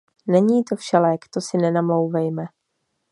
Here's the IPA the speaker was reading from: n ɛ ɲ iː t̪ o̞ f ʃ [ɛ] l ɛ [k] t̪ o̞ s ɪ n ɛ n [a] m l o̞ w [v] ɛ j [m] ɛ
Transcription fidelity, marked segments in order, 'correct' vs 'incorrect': correct, correct, correct, correct, correct

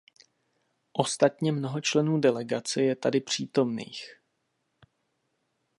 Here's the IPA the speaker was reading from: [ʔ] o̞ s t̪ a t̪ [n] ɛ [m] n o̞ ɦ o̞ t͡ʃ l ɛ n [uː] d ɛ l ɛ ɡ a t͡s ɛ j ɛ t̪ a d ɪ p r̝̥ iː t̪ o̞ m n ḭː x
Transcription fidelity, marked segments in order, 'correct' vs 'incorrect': correct, incorrect: ɲ, correct, correct

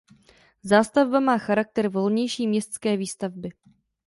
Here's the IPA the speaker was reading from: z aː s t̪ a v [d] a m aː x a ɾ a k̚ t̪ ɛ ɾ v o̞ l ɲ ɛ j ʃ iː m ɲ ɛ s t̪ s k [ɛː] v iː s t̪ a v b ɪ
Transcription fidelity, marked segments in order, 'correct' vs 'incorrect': incorrect: b, correct

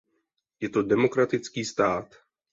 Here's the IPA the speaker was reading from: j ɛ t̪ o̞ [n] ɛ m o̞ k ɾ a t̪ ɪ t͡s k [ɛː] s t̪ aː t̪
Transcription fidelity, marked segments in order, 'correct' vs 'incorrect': incorrect: d, incorrect: iː

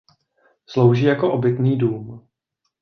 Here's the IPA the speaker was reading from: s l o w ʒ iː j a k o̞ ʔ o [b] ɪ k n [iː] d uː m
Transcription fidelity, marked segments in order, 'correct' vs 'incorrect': correct, correct

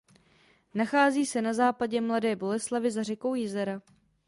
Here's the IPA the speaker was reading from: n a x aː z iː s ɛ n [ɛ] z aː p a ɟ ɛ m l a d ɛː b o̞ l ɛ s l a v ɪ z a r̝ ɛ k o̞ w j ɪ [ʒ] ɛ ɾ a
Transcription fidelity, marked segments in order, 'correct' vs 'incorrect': incorrect: a, incorrect: z

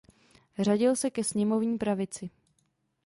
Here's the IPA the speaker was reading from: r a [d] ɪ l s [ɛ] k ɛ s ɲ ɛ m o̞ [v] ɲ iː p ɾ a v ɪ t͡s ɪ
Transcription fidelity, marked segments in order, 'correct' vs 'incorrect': incorrect: ɟ, correct, correct

